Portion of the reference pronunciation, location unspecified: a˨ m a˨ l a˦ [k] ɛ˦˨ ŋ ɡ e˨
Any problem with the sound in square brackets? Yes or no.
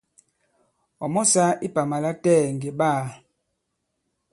yes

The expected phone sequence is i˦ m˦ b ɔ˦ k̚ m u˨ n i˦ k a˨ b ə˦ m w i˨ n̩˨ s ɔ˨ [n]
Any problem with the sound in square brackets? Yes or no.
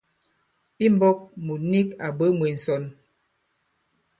no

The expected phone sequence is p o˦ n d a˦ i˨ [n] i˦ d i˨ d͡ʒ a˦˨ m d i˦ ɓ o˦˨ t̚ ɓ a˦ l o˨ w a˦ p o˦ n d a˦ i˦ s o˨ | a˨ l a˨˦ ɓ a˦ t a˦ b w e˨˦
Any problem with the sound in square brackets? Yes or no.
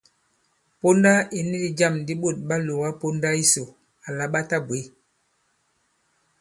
no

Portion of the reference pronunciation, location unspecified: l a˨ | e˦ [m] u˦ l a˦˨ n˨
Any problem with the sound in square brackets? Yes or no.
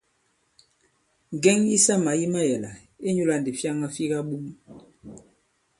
yes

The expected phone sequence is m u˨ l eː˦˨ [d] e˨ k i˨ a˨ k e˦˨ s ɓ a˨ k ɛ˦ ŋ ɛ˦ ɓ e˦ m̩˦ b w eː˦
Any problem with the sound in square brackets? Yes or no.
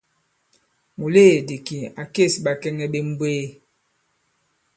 no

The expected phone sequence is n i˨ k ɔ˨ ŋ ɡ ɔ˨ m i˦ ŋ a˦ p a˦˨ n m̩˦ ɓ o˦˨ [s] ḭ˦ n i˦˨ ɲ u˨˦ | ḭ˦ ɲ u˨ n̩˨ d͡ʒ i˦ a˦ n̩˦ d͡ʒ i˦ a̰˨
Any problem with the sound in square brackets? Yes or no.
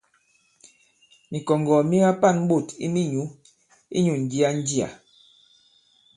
yes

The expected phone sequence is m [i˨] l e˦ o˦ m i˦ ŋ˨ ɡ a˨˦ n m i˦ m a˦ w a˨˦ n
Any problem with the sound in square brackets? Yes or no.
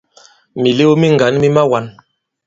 no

